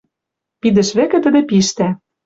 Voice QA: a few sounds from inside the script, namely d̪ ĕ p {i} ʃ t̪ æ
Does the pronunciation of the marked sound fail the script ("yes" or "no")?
no